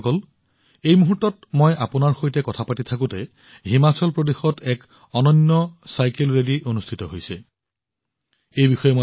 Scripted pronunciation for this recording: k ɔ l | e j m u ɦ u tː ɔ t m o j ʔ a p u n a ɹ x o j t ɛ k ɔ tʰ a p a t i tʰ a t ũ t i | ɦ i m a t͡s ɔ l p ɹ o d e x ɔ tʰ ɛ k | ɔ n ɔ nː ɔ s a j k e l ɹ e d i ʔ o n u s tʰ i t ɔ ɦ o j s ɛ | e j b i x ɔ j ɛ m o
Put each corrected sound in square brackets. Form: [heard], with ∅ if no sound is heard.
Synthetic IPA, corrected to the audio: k ɔ l | e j m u ɦ u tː ɔ t m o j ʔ a p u n a ɹ x o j t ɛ k ɔ tʰ a p a t i tʰ a [k] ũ t [ɛ] | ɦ i m a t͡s ɔ l p ɹ o d e x ɔ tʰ ɛ k | ɔ n ɔ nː ɔ s a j k e l ɹ e d i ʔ o n u s tʰ i t ɔ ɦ o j s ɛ | e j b i x ɔ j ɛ m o